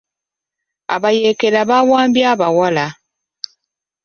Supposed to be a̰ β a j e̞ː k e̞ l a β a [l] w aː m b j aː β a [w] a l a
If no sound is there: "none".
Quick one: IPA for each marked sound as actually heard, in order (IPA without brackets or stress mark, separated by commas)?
none, w